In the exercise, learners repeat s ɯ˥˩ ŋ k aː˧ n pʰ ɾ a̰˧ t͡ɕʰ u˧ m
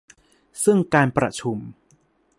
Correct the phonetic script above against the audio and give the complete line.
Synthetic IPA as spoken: s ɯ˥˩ ŋ k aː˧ n p ɾ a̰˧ t͡ɕʰ u˧ m